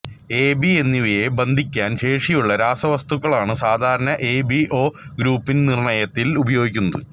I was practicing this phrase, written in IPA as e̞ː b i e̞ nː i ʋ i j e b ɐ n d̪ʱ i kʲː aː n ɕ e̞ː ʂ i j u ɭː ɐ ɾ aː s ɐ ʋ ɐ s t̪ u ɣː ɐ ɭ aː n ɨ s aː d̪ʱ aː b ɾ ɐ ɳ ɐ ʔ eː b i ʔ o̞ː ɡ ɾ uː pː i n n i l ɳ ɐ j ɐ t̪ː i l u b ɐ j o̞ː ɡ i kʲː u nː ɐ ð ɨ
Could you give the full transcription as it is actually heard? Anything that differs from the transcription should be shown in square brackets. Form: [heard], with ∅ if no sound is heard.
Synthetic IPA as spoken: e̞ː b i e̞ nː i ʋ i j e b ɐ n d̪ʱ i kʲː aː n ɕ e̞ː ʂ i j u ɭː ɐ ɾ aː s ɐ ʋ ɐ s t̪ u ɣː ɐ ɭ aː [ɳ] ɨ s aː d̪ʱ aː [∅] ɾ ɐ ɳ ɐ ʔ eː b i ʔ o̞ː ɡ ɾ uː pː i n n i [r] ɳ ɐ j ɐ t̪ː i l u b ɐ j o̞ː ɡ i kʲː u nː ɐ ð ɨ